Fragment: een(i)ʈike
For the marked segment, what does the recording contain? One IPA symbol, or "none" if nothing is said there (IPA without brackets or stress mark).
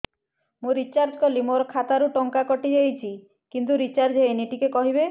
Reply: i